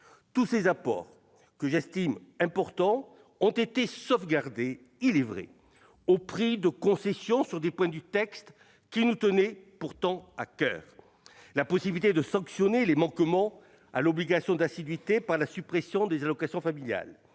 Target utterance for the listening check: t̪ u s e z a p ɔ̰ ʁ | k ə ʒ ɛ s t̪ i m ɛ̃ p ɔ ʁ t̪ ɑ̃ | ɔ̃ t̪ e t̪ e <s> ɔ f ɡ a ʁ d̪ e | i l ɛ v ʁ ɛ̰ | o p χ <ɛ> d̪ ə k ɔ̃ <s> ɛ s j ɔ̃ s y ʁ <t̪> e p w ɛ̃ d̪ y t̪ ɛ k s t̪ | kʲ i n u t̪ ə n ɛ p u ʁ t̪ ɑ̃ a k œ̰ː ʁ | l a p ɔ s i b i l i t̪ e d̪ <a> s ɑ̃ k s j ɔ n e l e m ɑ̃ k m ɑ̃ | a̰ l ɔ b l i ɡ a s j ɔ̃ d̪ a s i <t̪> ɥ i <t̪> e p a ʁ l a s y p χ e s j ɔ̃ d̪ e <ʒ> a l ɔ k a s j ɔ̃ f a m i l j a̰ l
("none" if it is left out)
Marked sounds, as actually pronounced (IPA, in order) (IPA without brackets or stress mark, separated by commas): s, i, s, d̪, ə, d̪, t̪, z